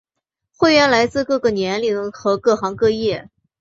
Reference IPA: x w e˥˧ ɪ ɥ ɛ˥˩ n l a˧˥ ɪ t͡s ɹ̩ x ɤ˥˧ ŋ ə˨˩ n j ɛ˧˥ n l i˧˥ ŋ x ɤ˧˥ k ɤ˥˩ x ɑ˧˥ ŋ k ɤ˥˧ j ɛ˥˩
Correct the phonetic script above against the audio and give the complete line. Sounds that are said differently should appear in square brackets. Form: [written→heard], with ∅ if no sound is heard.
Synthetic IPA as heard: x w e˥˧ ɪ ɥ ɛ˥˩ n l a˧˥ ɪ t͡s ɹ̩ [x→k] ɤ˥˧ [ŋ→ɡ] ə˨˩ n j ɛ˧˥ n l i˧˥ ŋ x ɤ˧˥ k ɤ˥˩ x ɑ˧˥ ŋ k ɤ˥˧ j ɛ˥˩